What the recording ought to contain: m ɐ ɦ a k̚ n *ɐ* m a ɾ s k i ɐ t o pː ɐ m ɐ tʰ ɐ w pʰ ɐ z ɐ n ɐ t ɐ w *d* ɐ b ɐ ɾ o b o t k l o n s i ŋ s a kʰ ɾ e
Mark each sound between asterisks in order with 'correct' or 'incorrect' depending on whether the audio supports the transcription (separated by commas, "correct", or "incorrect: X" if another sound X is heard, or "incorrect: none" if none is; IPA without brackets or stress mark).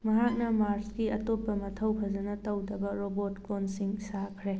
correct, correct